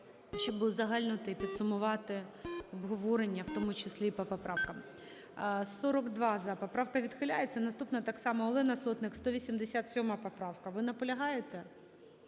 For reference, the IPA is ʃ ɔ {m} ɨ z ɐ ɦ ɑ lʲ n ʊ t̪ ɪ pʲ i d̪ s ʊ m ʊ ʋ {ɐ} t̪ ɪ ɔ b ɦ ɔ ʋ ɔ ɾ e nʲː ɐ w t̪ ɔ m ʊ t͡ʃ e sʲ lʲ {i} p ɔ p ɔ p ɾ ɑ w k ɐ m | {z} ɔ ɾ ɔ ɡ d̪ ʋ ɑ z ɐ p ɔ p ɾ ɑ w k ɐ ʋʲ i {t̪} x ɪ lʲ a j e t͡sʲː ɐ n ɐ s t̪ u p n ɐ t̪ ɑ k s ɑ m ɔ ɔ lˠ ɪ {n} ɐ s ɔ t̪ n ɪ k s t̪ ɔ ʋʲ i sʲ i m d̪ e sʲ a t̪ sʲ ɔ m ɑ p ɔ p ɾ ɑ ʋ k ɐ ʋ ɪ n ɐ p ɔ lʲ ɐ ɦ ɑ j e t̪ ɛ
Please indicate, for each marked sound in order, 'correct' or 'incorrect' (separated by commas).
incorrect, incorrect, correct, incorrect, incorrect, correct